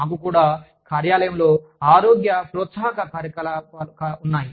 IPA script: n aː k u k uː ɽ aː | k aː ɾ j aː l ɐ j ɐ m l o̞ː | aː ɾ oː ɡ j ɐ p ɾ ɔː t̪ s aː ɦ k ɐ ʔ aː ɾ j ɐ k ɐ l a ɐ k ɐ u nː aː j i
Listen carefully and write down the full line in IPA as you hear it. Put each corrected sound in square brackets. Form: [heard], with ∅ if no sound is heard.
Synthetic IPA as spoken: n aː k u k uː ɽ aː | k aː ɾ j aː l ɐ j ɐ m l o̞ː | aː ɾ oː ɡ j ɐ p ɾ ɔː t̪ s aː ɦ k ɐ [k] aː ɾ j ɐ k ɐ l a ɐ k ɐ u nː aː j i